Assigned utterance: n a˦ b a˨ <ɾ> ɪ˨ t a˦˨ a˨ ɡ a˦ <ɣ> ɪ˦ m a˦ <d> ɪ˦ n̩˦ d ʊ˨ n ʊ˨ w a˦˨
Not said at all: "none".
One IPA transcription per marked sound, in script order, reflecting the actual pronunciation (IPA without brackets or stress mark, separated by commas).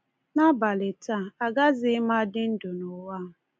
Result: l, z, d